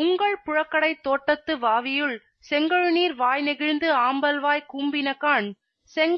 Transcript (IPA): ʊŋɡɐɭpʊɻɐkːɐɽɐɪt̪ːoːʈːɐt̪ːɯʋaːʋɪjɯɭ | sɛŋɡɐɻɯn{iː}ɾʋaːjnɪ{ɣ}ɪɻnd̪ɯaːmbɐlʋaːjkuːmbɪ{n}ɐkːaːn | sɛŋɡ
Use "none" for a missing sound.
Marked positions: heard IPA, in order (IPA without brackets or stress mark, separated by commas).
iː, ɣ, n